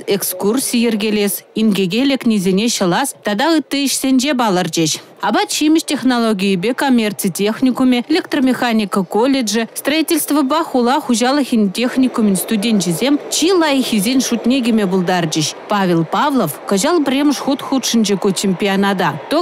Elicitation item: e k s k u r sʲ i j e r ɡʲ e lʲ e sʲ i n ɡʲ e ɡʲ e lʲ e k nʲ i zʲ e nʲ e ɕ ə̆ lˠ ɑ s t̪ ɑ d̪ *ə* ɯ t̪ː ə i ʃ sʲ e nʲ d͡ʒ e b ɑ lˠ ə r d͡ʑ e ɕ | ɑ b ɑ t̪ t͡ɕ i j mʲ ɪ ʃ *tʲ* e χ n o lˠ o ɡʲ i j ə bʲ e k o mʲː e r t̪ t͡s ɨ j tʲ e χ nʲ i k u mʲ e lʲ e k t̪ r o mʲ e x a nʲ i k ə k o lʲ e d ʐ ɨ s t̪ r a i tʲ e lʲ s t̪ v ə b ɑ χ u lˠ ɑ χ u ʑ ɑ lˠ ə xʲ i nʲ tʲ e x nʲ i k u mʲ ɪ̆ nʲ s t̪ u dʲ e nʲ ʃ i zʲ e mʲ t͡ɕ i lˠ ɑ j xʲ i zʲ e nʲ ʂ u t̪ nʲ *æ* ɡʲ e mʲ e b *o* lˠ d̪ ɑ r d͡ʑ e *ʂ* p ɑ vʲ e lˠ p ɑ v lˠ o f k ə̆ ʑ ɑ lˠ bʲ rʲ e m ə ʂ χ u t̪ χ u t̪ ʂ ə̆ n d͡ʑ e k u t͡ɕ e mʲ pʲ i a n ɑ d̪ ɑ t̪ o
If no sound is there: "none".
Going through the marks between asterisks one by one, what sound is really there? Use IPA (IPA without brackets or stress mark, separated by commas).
ɑ, tʲ, e, u, ɕ